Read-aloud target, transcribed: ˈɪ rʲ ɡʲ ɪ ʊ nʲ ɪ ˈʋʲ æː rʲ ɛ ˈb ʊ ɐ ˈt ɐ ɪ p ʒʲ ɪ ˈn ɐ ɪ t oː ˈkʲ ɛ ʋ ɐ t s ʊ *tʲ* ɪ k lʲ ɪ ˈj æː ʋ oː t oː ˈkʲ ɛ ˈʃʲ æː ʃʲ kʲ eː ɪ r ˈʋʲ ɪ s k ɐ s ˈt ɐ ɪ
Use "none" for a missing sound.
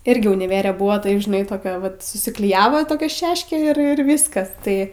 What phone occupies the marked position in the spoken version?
sʲ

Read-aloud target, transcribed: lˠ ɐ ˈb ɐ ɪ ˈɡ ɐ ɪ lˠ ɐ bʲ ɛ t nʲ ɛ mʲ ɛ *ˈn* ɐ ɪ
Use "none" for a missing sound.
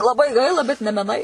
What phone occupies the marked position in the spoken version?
n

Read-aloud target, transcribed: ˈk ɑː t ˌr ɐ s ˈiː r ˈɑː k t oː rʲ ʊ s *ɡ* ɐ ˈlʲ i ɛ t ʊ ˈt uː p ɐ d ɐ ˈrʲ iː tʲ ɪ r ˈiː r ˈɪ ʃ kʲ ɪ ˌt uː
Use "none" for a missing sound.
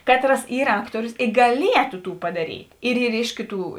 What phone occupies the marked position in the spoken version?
ɡ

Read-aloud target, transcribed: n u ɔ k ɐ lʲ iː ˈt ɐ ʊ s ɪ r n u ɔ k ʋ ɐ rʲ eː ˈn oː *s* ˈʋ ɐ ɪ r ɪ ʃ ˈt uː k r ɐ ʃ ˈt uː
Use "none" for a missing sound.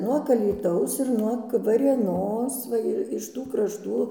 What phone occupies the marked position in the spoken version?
s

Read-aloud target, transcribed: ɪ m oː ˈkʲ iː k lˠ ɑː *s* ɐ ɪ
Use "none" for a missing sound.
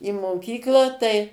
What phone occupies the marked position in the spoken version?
t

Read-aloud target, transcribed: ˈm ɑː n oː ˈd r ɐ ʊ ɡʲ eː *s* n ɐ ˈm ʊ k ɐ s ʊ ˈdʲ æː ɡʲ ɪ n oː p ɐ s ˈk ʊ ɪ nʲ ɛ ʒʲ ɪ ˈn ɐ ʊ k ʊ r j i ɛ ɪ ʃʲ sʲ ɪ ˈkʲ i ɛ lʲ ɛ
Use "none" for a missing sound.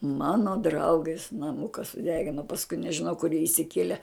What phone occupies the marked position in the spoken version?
s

